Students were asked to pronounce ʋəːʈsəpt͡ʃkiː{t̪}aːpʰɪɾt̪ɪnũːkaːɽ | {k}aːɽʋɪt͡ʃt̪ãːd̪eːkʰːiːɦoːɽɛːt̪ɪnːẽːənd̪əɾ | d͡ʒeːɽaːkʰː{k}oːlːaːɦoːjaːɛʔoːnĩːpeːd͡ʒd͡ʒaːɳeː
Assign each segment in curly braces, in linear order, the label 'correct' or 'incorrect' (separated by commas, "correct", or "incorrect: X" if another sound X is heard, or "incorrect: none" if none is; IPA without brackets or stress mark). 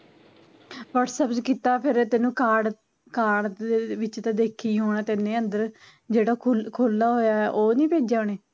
correct, correct, incorrect: kʰ